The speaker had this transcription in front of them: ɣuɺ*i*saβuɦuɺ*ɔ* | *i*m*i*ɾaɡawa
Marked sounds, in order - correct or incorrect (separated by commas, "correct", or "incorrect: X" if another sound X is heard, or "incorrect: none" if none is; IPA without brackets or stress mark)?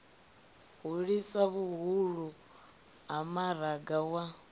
correct, incorrect: u, incorrect: a, incorrect: a